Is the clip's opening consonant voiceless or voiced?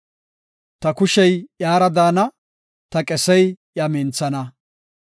voiceless